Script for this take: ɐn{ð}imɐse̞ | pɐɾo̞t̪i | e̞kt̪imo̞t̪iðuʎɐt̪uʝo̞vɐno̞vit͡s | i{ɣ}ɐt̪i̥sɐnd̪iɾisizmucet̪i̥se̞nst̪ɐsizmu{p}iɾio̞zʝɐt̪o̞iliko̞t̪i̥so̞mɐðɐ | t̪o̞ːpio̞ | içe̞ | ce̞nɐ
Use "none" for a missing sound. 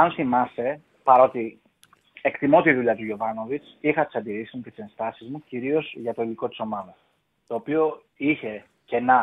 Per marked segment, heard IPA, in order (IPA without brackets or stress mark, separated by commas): θ, x, c